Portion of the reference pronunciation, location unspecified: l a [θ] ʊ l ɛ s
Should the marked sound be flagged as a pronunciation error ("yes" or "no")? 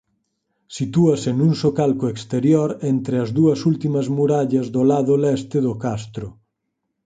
yes